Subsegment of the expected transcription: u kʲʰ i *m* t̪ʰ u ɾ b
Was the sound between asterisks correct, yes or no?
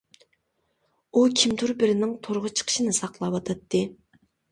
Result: yes